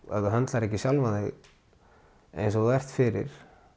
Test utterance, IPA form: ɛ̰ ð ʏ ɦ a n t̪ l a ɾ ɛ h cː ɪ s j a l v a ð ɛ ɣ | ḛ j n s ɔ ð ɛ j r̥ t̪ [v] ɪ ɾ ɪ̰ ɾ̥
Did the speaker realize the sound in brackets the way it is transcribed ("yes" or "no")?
no